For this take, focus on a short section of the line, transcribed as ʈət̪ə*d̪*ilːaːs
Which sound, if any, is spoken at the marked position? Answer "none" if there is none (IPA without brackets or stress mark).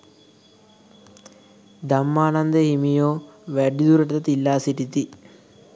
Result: t̪